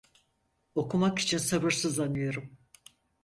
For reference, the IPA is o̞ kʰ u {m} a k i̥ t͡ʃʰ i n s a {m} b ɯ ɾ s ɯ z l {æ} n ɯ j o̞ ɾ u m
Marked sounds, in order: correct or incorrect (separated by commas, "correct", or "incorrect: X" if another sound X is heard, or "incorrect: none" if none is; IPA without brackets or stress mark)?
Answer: correct, incorrect: none, incorrect: a